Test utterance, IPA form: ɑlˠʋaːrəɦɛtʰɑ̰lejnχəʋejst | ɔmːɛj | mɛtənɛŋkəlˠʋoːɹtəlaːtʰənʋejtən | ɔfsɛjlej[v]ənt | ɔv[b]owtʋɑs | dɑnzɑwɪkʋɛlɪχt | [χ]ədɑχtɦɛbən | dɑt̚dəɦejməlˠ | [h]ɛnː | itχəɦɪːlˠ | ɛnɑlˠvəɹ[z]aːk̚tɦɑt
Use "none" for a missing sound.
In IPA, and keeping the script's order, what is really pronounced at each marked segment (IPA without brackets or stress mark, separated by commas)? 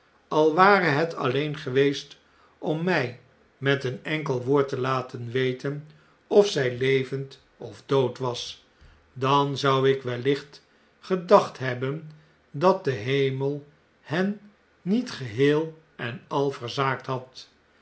v, d, χ, h, z